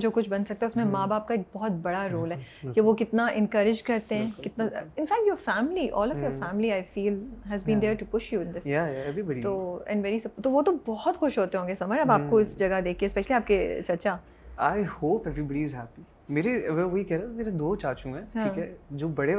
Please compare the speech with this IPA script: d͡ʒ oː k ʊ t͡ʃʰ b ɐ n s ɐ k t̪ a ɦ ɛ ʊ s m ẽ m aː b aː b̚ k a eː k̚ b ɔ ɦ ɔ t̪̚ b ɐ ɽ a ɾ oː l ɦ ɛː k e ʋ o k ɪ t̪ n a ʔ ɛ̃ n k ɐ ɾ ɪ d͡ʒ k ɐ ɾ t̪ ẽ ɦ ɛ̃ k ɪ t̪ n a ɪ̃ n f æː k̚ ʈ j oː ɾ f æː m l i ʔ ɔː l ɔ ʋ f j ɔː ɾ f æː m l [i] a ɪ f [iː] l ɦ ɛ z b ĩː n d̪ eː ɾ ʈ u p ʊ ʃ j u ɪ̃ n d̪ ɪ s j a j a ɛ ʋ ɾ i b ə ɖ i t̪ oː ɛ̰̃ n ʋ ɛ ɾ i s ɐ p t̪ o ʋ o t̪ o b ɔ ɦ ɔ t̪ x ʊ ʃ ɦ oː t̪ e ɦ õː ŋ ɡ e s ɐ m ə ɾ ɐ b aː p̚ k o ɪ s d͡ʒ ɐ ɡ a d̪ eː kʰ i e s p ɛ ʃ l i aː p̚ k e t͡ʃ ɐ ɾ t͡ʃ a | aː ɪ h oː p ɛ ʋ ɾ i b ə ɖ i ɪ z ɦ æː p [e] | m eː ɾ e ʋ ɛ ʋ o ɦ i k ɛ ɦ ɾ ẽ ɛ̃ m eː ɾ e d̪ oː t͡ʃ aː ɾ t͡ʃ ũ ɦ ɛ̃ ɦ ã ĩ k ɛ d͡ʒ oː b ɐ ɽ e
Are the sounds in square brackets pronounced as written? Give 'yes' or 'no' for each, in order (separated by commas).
yes, yes, no